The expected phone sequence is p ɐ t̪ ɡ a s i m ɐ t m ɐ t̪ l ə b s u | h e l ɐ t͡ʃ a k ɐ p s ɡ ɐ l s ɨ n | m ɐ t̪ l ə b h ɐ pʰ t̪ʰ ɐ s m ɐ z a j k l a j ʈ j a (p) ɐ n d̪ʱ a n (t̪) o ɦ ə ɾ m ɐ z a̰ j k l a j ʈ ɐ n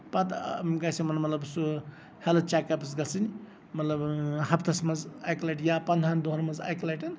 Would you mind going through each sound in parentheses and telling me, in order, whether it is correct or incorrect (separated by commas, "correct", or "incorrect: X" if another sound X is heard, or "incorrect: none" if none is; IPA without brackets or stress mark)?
correct, incorrect: d̪